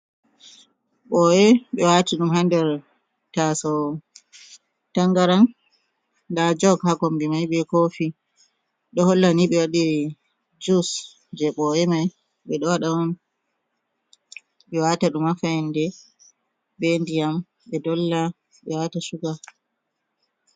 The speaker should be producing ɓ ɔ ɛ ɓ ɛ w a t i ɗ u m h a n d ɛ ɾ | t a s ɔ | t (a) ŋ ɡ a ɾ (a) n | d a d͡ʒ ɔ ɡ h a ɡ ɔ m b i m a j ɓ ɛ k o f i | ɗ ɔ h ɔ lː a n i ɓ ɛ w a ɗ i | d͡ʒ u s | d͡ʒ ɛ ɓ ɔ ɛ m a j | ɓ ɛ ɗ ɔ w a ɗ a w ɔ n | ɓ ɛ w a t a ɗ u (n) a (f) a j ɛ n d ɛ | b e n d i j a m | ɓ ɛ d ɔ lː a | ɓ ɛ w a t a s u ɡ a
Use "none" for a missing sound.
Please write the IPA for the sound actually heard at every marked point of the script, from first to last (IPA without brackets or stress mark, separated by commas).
a, a, m, f